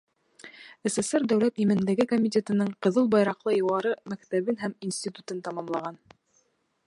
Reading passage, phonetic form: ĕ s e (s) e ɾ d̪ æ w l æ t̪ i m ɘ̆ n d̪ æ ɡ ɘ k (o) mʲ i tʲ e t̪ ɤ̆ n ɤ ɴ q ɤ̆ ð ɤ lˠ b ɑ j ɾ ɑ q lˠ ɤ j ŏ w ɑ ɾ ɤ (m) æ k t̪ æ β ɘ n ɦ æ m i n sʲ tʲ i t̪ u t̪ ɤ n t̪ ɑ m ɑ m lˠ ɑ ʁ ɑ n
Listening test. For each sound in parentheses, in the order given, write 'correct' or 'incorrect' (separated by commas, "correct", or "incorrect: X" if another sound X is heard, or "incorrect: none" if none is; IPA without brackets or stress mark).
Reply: correct, correct, correct